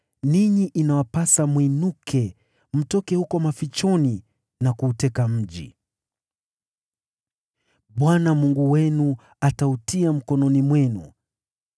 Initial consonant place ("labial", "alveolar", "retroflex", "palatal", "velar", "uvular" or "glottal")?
alveolar